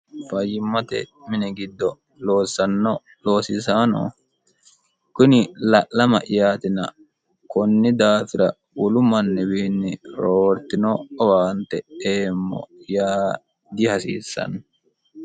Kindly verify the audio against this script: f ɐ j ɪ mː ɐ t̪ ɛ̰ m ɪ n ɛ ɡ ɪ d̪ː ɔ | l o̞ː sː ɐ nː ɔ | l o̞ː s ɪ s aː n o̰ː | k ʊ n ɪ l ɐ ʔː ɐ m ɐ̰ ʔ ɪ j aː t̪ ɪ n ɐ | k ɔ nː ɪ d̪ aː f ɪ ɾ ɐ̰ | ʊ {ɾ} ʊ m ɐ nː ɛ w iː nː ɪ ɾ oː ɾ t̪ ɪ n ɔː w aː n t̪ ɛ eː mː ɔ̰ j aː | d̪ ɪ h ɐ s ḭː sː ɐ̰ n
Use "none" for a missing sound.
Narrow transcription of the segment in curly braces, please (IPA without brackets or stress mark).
l